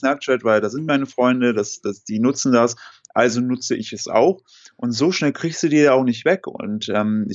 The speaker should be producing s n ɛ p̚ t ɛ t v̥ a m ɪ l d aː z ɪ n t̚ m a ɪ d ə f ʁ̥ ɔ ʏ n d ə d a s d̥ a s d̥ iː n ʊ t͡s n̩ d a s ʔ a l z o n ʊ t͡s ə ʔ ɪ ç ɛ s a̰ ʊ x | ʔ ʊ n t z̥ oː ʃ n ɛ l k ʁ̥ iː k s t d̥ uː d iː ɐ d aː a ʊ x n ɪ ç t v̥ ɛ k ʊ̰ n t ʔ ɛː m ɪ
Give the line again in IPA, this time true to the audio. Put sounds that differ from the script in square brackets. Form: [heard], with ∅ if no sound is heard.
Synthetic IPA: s n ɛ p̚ [t͡ʃ] ɛ t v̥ a [∅] ɪ l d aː z ɪ n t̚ m a ɪ [n] ə f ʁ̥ ɔ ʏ n d ə d a s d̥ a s d̥ iː n ʊ t͡s n̩ d a s ʔ a l z o n ʊ t͡s ə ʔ ɪ ç ɛ s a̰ ʊ x | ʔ ʊ n t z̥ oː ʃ n ɛ l k ʁ̥ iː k s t d̥ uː d iː ɐ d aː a ʊ x n ɪ ç t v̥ ɛ k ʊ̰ n t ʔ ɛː m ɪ